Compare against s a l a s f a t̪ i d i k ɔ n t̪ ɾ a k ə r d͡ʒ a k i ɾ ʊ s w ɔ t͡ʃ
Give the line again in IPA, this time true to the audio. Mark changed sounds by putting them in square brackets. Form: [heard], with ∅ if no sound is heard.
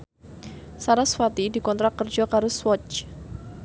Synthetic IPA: s a [ɾ] a s f a t̪ i d i k ɔ n t̪ ɾ a k ə r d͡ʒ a k [a] ɾ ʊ s w ɔ t͡ʃ